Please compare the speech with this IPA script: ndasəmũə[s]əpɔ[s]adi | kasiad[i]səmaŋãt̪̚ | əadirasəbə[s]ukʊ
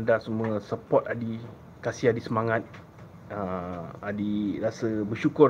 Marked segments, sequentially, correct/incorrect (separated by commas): correct, incorrect, correct, incorrect